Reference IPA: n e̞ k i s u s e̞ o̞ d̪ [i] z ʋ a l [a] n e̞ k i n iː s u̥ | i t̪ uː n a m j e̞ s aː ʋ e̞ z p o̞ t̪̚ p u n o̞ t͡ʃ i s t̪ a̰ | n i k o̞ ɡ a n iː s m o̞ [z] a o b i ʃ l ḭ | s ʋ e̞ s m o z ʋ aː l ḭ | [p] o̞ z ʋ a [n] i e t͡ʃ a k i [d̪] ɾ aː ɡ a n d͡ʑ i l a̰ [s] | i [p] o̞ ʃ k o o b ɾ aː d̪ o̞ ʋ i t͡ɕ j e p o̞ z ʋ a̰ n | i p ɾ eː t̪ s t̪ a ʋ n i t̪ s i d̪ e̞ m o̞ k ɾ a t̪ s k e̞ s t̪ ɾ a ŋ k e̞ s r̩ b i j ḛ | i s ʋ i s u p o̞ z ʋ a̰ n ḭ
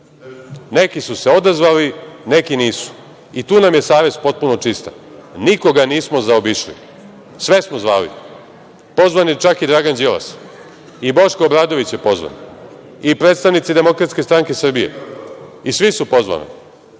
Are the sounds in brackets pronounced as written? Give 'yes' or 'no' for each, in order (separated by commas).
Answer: no, no, yes, yes, yes, yes, yes, no